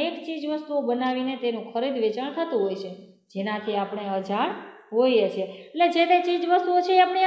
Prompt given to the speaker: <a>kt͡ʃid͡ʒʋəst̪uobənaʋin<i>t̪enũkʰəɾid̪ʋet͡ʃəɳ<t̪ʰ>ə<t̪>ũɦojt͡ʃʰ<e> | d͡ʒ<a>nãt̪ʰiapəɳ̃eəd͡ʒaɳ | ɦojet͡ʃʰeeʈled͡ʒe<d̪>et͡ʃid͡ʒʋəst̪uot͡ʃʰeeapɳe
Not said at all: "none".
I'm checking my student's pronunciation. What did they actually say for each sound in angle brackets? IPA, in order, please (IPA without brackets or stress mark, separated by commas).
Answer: e, e, t̪ʰ, t̪, e, e, t̪